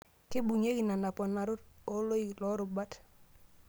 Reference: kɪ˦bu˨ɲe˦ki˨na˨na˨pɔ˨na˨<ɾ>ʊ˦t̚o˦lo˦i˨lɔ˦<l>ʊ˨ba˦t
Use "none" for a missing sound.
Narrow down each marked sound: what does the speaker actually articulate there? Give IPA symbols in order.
ɾ, ɾ

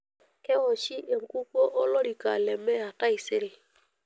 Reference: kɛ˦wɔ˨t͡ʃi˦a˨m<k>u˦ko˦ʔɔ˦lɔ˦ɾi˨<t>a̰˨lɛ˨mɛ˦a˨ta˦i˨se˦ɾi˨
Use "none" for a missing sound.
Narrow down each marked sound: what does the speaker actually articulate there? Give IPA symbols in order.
k, k

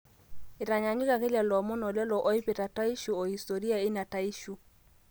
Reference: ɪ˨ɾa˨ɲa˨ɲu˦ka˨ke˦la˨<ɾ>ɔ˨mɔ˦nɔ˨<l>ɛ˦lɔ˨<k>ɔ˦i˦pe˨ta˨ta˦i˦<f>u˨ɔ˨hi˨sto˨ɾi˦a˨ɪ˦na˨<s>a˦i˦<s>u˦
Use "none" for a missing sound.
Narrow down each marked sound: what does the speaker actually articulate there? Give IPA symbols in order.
l, l, ʔ, ʃ, t, ʃ

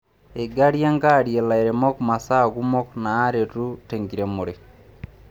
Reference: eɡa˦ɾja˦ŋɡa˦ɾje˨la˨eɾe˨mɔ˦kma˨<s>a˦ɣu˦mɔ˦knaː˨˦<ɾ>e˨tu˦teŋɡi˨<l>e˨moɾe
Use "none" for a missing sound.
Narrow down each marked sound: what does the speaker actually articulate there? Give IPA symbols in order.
s, ɾ, ɾ

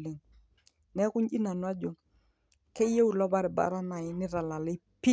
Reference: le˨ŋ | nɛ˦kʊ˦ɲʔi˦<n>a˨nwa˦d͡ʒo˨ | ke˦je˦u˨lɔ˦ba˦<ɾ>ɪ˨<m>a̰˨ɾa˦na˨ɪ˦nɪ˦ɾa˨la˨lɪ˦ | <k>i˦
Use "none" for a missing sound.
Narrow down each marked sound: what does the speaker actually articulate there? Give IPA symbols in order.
n, ɾ, b, p

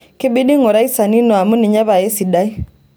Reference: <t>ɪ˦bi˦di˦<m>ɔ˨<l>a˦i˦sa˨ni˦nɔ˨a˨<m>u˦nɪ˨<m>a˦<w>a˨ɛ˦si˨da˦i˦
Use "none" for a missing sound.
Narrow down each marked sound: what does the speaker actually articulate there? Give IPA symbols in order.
k, ŋ, ɾ, m, ɲ, β

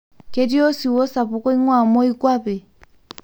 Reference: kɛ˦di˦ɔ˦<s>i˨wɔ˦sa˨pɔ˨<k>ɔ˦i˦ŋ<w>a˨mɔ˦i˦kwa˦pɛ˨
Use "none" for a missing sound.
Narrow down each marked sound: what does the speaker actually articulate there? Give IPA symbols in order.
s, k, w

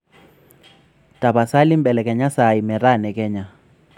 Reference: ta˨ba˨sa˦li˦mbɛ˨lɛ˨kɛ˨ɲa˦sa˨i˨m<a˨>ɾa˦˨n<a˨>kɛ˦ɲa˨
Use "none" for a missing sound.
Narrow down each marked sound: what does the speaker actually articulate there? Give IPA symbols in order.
ɛ˨, ɛ˨

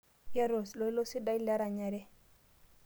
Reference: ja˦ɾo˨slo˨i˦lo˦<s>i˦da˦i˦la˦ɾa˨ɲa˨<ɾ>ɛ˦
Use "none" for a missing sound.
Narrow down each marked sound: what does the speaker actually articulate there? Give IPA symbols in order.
s, ɾ

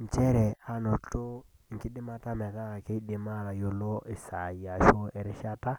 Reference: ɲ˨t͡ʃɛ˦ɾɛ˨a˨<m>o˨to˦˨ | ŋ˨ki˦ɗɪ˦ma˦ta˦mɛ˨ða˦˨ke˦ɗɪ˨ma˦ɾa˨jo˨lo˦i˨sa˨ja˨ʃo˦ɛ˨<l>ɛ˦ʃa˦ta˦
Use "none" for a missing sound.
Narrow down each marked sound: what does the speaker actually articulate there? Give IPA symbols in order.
n, ɾ

